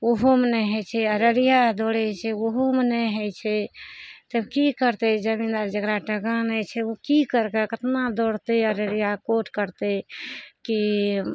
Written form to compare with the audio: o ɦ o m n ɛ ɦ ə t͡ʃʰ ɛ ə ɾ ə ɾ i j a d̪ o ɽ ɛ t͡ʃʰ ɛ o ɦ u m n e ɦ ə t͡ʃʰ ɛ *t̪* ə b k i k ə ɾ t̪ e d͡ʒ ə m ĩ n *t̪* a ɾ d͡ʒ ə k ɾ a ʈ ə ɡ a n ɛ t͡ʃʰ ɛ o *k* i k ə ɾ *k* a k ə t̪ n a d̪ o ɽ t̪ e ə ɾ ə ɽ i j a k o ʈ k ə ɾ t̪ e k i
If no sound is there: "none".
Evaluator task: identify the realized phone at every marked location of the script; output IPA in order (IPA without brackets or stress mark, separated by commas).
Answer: t̪, d̪, k, k